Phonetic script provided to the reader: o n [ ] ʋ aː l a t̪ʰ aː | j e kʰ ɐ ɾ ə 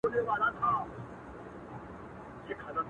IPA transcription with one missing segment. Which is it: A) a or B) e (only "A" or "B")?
B